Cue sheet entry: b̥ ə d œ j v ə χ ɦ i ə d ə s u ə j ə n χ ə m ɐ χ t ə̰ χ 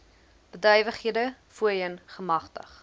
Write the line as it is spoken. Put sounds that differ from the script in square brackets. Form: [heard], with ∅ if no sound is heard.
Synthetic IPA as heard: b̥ ə d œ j v ə χ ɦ i ə d ə [f] u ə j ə n χ ə m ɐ χ t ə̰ χ